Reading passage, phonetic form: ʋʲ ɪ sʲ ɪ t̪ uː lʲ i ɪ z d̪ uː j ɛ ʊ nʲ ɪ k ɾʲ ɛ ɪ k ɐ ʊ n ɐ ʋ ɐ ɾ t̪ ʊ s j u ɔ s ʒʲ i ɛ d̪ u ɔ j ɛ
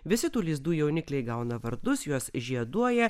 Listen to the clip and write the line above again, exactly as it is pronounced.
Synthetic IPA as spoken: ʋʲ ɪ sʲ ɪ t̪ uː lʲ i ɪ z d̪ uː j ɛ ʊ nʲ ɪ k lʲ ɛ ɪ ɡ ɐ ʊ n ɐ ʋ ɐ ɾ d̪ ʊ s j u ɔ s ʒʲ i ɛ d̪ u ɔ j ɛ